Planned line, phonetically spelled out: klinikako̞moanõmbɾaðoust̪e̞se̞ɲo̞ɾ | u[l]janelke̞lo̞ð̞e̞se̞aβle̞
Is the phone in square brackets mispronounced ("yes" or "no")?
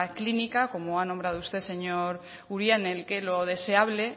yes